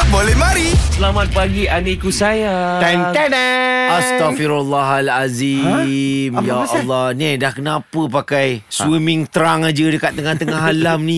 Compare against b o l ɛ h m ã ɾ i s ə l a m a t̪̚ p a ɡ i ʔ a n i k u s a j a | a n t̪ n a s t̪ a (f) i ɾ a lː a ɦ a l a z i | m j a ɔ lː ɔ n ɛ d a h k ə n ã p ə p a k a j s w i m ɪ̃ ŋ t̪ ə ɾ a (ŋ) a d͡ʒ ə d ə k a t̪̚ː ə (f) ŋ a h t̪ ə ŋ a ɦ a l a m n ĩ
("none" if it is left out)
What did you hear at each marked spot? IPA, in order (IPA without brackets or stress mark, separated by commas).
f, ŋ, none